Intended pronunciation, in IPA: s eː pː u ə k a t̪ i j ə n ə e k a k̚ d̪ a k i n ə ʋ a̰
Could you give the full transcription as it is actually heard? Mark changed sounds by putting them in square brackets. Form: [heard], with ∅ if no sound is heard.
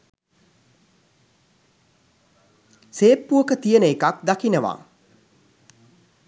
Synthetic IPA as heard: s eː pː u ə k [ə] t̪ i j ə n ə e k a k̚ d̪ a k i n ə ʋ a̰